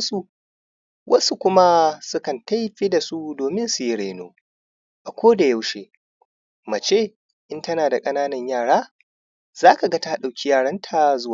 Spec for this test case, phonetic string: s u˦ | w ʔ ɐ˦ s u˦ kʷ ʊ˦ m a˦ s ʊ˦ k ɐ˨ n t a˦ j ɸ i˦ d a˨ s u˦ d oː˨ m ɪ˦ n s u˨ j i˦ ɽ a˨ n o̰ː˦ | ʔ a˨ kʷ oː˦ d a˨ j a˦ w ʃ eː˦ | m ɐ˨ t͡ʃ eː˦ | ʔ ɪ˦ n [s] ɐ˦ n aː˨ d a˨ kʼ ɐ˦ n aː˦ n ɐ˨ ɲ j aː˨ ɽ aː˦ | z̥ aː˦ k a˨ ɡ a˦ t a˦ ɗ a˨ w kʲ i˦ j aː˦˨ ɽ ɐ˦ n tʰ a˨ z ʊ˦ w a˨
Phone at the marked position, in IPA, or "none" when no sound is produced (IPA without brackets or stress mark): t